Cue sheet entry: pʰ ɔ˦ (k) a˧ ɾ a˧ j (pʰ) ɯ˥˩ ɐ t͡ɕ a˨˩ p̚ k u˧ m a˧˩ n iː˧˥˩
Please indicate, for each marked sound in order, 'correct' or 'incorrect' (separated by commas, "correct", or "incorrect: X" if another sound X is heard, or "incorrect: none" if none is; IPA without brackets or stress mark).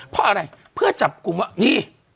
incorrect: ʔ, correct